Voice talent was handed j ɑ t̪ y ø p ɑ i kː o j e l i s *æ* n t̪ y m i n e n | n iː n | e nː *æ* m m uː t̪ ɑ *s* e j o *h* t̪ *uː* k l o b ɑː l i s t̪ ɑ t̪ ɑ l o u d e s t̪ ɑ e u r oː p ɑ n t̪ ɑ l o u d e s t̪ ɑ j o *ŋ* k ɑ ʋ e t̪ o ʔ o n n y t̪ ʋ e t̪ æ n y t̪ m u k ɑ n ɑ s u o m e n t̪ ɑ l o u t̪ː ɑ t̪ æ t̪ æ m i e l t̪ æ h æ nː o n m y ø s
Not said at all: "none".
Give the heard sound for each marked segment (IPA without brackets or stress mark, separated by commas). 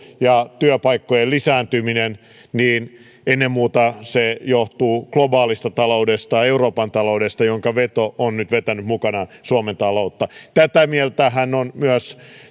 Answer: æː, e, s, h, uː, ŋ